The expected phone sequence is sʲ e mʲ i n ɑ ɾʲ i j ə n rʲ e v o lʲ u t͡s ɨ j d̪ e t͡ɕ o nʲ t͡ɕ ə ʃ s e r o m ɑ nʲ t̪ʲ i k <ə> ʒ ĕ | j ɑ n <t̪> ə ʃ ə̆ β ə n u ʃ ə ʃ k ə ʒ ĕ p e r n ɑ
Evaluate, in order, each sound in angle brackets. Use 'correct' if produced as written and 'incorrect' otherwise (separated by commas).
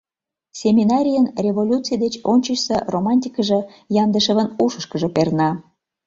correct, incorrect